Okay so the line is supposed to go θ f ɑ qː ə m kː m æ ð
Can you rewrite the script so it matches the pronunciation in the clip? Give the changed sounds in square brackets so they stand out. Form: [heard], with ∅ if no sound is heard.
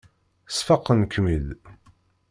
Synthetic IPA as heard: [s] f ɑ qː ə [n] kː m [i] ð